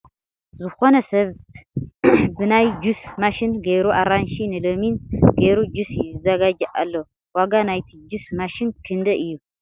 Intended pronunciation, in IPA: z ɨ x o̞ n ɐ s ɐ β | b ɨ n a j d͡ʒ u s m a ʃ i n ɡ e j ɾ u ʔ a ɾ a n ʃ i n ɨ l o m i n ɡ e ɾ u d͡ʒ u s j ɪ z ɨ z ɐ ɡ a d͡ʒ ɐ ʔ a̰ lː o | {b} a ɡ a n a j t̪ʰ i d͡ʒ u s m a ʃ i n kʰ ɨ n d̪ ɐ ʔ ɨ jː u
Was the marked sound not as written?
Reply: yes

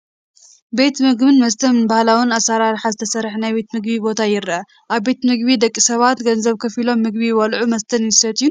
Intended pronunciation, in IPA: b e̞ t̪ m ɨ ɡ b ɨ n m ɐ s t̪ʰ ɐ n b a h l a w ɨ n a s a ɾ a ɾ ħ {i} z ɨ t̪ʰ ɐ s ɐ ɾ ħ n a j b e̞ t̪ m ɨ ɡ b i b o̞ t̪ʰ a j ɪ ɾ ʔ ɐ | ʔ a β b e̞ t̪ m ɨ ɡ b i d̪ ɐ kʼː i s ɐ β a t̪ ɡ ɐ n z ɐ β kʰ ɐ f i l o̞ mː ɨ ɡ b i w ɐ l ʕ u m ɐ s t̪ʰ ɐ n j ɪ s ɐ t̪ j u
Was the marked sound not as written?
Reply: yes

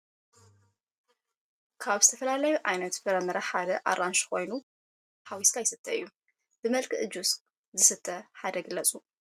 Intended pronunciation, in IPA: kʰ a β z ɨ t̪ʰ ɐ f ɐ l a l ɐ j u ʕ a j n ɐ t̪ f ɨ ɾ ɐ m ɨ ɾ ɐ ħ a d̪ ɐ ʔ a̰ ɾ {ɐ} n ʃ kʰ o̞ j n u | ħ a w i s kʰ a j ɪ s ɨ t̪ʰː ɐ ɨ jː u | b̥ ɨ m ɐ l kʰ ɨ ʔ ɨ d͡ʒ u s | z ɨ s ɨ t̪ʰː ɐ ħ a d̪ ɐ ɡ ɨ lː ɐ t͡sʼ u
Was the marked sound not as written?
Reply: yes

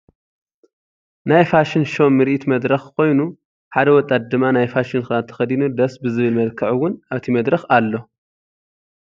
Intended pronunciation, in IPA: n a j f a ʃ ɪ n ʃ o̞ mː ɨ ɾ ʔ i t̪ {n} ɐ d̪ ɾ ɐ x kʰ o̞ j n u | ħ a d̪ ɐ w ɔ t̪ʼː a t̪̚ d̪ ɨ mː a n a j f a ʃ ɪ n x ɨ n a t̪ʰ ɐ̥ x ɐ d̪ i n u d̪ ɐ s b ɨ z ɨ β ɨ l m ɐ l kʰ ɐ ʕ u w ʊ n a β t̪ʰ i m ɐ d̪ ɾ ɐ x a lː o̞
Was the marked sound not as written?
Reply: yes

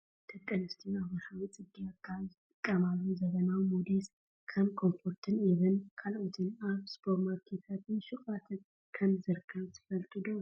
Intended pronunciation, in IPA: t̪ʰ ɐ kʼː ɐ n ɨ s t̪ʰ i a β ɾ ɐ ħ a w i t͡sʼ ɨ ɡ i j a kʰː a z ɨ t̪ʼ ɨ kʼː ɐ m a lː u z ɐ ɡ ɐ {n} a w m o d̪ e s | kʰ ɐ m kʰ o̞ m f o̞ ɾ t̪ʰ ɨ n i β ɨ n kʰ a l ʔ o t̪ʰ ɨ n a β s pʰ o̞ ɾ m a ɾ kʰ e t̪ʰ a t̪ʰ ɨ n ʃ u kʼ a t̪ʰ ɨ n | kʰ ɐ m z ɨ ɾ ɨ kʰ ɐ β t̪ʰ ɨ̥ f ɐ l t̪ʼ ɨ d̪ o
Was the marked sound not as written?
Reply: no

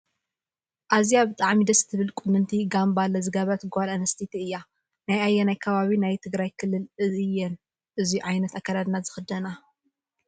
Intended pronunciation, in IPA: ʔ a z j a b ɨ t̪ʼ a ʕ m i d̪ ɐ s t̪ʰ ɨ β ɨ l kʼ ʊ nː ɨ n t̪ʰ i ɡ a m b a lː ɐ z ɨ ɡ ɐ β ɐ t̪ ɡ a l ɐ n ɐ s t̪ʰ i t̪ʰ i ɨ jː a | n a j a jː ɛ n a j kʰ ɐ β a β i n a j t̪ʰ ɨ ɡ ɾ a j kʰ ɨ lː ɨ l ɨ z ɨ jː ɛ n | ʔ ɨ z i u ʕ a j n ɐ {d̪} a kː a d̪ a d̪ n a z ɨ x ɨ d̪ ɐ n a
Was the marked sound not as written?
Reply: yes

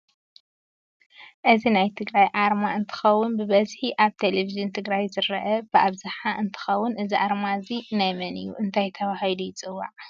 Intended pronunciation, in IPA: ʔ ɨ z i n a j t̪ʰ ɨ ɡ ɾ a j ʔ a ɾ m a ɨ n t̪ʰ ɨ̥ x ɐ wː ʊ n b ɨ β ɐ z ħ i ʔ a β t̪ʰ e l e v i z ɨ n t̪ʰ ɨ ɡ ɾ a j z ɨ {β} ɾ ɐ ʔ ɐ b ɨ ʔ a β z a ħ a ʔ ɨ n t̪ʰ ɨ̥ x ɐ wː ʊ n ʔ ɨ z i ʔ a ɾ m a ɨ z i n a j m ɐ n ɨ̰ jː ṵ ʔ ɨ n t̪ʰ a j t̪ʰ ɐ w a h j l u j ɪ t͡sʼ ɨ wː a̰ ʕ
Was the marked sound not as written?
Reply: yes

